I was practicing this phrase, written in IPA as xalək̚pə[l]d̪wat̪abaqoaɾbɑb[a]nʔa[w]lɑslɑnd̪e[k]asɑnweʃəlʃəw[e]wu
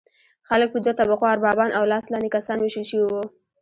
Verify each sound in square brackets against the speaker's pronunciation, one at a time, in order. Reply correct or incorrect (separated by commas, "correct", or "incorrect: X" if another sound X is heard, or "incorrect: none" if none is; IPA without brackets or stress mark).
incorrect: none, incorrect: ɑ, correct, correct, incorrect: i